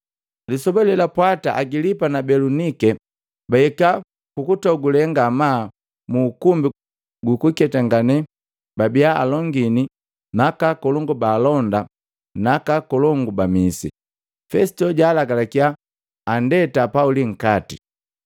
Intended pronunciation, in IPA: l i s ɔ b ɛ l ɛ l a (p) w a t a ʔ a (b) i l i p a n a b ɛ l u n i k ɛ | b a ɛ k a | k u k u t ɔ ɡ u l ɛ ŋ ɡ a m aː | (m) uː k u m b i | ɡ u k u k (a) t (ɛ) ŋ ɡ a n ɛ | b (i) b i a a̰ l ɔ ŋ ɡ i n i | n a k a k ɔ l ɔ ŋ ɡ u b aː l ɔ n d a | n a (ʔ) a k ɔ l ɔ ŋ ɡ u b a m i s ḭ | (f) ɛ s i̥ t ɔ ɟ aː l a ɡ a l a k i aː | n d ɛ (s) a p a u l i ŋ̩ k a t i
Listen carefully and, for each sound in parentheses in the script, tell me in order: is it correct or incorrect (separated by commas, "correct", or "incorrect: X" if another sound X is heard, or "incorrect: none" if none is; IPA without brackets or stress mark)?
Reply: correct, incorrect: ɡ, correct, incorrect: ɛ, incorrect: a, incorrect: a, incorrect: k, correct, incorrect: t